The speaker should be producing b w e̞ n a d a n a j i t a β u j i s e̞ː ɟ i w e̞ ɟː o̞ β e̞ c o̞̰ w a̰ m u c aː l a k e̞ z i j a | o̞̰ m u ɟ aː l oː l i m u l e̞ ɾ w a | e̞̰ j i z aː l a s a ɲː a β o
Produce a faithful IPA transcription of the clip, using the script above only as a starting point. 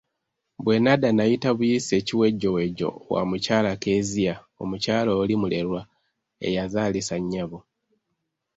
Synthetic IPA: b w e̞ n a d a n a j i t a β u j i s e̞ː c i w e̞ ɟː o̞ w e̞ ɟ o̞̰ w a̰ m u c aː l a k e̞ z i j a | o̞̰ m u c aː l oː l i m u l e̞ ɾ w a | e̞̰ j a z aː l i s a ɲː a β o